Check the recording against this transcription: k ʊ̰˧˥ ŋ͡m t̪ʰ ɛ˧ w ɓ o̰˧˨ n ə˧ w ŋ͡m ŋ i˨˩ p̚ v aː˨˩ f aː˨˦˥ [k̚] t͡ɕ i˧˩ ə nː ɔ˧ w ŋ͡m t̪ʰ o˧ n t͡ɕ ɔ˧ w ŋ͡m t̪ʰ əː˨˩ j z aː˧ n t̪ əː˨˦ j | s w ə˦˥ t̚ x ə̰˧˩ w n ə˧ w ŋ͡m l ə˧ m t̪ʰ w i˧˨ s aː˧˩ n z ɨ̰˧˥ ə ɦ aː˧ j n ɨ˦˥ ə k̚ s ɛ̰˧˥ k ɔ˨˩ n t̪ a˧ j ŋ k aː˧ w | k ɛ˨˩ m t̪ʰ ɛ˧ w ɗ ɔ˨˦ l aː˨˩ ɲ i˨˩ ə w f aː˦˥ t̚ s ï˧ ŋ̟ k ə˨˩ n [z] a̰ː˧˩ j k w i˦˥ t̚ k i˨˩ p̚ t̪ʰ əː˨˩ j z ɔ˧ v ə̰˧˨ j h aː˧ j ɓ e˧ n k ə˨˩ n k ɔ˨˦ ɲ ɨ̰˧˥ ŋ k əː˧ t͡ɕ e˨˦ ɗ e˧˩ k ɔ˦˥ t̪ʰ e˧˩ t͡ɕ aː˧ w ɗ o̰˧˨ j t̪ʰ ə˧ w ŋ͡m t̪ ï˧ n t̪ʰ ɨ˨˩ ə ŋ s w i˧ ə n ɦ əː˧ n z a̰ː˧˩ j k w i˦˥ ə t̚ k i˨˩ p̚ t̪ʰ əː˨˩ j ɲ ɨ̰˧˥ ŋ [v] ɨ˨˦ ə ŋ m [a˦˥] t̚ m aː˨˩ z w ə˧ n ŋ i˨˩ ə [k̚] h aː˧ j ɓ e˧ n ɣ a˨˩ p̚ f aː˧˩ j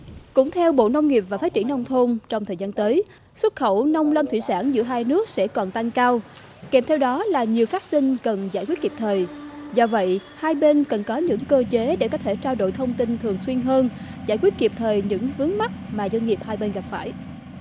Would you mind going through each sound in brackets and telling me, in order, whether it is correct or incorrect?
incorrect: t̚, correct, correct, correct, incorrect: p̚

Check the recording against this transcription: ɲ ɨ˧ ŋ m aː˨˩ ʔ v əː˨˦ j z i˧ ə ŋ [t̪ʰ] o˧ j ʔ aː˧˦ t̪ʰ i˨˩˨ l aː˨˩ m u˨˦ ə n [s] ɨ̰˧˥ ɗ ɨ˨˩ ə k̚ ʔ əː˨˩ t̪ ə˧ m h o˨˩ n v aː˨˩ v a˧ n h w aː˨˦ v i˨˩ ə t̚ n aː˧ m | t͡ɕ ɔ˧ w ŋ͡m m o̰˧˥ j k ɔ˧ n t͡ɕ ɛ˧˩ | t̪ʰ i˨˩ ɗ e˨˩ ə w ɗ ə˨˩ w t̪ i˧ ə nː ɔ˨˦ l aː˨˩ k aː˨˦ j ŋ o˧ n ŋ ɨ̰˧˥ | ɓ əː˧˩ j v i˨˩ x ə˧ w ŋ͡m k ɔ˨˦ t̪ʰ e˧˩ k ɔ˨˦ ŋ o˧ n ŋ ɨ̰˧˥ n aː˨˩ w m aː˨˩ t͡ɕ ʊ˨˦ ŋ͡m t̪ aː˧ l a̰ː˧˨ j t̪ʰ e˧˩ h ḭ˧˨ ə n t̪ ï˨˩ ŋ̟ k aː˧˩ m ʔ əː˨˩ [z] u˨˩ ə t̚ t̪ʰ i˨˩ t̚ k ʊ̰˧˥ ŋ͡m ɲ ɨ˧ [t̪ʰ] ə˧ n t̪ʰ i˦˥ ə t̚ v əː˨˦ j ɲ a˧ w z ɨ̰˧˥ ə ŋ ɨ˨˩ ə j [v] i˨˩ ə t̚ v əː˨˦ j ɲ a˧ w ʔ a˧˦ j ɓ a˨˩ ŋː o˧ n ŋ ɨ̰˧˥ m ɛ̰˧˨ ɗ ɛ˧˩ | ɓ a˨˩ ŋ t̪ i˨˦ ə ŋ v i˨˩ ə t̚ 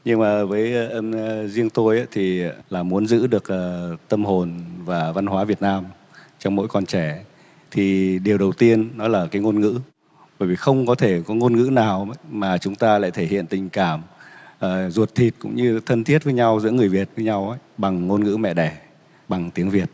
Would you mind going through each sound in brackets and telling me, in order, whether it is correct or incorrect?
incorrect: t̪, incorrect: z, correct, correct, correct

